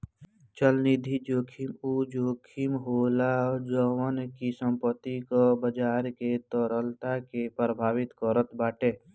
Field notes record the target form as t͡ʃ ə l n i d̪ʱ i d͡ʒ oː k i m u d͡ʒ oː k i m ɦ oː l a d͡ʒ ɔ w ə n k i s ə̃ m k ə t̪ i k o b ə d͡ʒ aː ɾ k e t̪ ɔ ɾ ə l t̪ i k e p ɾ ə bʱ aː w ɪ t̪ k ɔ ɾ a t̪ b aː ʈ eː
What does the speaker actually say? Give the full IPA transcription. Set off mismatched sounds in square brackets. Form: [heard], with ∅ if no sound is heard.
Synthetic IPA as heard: t͡ʃ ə l n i d̪ʱ i d͡ʒ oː [kʰ] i m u d͡ʒ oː [kʰ] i m ɦ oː l a d͡ʒ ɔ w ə n k i s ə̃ m [p] ə t̪ i k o b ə d͡ʒ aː ɾ k e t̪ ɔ ɾ ə l t̪ [a] k e p ɾ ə bʱ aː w ɪ t̪ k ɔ ɾ [ə] t̪ b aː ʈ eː